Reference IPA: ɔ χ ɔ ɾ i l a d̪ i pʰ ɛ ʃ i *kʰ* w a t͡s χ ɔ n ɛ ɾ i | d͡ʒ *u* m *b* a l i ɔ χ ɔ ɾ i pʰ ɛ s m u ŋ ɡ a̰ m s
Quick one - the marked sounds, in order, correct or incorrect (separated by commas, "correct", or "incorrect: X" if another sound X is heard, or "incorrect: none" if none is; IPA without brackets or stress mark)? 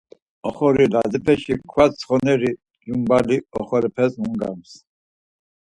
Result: correct, correct, correct